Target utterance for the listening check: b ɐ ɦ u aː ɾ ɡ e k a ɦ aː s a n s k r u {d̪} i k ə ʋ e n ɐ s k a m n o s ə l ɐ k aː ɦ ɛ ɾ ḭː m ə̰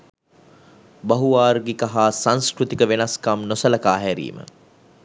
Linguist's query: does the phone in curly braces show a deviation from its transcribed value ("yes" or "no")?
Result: yes